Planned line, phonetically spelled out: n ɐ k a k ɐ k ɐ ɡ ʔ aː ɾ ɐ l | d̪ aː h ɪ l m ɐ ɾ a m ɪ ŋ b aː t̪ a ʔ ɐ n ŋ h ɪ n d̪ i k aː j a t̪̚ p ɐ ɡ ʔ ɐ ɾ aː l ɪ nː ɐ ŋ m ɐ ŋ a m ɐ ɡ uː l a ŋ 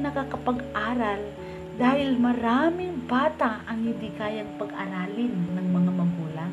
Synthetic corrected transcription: n ɐ k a k ɐ p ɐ ɡ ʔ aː ɾ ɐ l | d̪ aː h ɪ l m ɐ ɾ a m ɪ ŋ b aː t̪ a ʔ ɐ ŋ h ɪ n d̪ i k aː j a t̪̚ p ɐ ɡ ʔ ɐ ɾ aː l ɪ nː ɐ ŋ m ɐ ŋ a m ɐ ɡ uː l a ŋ